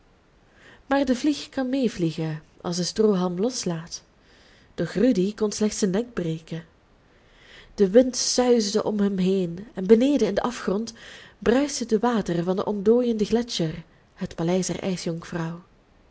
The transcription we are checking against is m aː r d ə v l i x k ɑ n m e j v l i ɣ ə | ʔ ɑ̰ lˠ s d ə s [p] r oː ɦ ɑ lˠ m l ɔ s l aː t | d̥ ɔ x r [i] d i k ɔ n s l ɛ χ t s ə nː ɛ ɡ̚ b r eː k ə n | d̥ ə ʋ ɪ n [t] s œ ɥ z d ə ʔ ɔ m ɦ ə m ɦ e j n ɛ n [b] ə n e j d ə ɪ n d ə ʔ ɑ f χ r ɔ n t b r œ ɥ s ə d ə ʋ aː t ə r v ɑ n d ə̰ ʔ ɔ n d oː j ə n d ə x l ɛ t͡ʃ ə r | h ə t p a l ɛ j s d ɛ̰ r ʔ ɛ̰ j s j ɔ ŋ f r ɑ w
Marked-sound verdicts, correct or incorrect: incorrect: t, incorrect: y, correct, correct

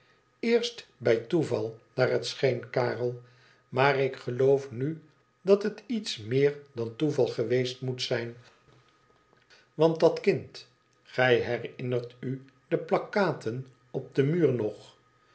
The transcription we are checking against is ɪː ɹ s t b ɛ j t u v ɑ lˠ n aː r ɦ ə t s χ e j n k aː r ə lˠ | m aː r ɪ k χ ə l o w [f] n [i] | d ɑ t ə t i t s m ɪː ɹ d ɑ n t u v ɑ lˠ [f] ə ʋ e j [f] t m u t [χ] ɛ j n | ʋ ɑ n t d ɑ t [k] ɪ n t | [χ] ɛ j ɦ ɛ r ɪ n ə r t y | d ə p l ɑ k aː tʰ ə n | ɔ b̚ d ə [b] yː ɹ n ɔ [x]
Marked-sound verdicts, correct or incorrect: correct, incorrect: y, incorrect: χ, incorrect: s, incorrect: s, correct, correct, incorrect: m, incorrect: χ

